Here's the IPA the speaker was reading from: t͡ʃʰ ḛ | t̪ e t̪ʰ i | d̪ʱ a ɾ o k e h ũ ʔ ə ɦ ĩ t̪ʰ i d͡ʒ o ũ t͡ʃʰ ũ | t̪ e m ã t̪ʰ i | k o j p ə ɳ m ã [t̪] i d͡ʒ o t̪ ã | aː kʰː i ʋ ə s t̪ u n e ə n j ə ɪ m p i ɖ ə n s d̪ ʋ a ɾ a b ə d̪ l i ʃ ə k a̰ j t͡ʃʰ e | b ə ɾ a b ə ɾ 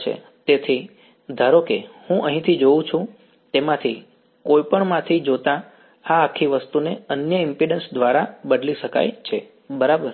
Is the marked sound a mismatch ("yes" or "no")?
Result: yes